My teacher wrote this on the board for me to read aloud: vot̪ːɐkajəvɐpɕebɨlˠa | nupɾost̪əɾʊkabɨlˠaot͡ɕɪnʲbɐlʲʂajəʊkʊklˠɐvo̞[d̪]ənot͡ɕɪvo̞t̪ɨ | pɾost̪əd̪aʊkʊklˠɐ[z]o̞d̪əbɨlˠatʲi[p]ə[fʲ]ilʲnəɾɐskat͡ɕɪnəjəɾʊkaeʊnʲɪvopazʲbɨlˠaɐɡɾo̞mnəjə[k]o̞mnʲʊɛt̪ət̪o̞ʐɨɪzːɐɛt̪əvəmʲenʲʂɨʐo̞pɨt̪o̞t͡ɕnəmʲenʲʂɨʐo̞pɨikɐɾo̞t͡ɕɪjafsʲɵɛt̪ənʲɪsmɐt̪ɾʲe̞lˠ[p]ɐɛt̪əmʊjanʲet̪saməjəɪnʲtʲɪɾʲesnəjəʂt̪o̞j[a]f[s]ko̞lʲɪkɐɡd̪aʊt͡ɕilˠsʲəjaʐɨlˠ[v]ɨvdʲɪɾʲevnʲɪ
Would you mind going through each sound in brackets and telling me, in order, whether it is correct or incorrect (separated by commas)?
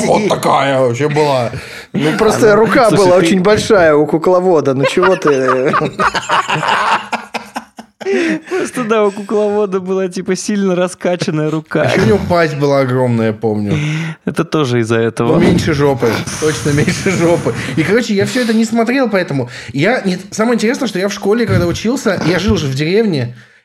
correct, incorrect, correct, incorrect, incorrect, correct, correct, incorrect, incorrect